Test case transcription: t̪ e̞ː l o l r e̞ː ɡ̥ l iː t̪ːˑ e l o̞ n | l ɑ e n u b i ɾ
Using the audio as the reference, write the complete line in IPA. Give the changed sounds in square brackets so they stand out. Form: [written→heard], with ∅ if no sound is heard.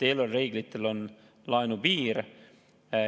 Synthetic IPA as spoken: t̪ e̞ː l o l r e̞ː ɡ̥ l [iː→i] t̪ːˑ e l o̞ n | l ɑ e n u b [i→iː] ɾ